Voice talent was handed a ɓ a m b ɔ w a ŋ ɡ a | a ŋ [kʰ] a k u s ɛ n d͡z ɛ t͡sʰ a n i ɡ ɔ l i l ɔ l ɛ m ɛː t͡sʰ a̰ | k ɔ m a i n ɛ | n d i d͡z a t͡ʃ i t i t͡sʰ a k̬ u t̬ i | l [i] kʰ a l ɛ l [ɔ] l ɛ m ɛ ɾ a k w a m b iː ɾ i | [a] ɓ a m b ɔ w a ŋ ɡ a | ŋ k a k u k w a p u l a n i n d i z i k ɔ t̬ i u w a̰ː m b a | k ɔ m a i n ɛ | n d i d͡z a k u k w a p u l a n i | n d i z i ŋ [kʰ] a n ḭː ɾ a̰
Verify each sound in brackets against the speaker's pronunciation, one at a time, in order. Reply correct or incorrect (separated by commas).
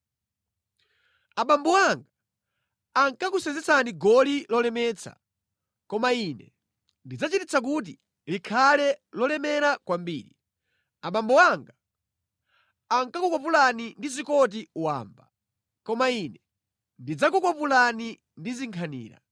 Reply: incorrect, correct, correct, correct, correct